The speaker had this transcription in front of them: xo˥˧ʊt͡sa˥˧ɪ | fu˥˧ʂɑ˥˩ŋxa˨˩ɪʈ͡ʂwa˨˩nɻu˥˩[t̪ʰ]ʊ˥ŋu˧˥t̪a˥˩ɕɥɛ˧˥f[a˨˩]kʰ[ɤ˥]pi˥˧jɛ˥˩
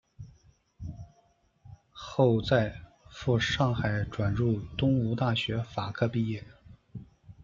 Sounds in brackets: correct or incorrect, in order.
incorrect: t̪, correct, incorrect: ɤ˥˧

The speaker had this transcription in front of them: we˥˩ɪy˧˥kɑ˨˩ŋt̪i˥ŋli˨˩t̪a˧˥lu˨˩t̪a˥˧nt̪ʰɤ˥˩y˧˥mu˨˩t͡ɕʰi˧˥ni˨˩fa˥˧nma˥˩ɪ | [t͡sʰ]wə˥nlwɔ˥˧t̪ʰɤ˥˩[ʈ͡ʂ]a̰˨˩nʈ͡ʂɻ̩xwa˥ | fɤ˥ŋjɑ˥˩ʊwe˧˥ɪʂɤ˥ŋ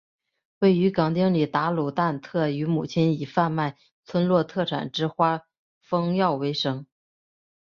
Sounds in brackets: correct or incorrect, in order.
correct, incorrect: ʈ͡ʂʰ

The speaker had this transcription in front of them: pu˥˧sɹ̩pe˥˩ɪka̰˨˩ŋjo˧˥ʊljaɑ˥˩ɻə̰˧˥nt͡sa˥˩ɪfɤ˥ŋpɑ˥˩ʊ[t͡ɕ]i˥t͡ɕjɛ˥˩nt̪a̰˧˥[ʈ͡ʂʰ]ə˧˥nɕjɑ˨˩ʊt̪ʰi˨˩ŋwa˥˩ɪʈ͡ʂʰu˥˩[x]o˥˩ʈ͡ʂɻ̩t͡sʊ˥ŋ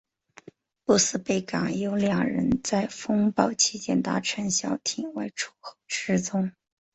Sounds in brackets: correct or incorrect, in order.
incorrect: t͡ɕʰ, correct, correct

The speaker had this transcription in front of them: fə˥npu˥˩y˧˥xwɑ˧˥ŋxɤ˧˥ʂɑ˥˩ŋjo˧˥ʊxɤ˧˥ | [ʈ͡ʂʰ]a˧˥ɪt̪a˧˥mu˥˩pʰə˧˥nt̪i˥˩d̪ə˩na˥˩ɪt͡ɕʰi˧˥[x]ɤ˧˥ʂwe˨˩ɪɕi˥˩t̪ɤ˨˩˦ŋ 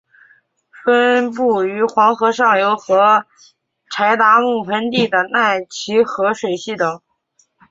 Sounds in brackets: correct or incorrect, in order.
correct, correct

